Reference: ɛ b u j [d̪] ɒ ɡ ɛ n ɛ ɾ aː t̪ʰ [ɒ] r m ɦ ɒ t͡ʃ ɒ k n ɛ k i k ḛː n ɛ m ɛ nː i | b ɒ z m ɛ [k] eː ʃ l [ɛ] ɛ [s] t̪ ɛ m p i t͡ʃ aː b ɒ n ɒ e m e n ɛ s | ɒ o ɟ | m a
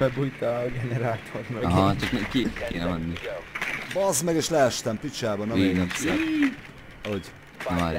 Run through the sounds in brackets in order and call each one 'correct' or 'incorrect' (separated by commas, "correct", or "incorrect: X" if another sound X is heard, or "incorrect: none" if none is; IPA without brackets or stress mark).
incorrect: t̪, incorrect: o, incorrect: ɡ, correct, incorrect: ʃ